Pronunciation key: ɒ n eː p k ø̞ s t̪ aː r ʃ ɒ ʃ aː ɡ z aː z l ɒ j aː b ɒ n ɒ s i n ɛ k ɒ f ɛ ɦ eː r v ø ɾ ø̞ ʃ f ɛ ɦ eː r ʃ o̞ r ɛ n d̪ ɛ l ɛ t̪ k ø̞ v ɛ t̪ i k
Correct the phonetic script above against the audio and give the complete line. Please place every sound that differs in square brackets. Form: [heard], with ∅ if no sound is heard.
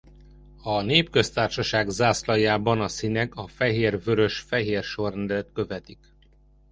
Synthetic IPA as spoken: ɒ n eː p k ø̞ s t̪ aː r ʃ ɒ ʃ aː ɡ z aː [s] l ɒ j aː b ɒ n ɒ s i n ɛ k ɒ f ɛ ɦ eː r v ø ɾ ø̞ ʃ f ɛ ɦ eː r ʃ o̞ r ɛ n d̪ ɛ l ɛ t̪ k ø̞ v ɛ t̪ i k